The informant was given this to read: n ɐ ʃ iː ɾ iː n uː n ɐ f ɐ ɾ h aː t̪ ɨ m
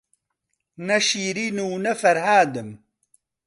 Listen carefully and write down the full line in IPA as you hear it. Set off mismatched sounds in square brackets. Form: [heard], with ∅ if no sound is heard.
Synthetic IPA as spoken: n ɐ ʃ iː ɾ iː n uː n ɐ f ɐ ɾ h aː [d̪] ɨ m